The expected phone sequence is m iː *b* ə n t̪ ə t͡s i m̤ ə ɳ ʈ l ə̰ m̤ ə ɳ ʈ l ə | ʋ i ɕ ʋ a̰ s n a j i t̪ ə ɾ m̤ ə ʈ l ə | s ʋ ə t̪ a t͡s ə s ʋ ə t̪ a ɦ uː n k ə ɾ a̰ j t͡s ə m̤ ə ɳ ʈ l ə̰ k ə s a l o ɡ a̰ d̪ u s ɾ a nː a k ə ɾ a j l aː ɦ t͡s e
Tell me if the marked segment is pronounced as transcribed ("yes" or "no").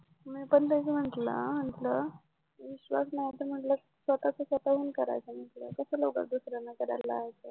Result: no